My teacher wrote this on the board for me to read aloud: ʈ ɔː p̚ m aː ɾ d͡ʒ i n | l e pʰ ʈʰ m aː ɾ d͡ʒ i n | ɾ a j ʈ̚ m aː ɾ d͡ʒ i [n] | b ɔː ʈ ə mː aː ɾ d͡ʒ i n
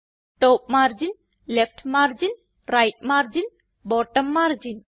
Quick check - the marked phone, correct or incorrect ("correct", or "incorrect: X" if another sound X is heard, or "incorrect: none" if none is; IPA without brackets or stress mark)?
correct